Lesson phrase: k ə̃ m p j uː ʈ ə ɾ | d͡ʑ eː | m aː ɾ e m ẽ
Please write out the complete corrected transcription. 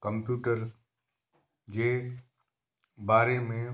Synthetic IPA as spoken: k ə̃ m p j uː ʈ ə ɾ | d͡ʑ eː | b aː ɾ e m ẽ